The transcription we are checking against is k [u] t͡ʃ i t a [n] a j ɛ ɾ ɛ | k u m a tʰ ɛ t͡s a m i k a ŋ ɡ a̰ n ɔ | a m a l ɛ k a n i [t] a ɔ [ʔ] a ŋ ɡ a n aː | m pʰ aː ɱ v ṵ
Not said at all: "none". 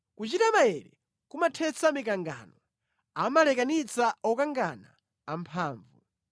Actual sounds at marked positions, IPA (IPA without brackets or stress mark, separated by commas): u, m, t͡s, k